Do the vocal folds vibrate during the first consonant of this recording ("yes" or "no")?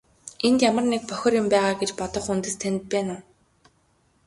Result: yes